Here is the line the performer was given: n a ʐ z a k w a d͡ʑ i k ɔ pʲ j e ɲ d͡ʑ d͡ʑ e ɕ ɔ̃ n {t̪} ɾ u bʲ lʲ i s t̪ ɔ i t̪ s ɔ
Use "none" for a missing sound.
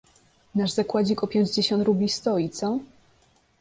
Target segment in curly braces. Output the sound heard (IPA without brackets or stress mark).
t̪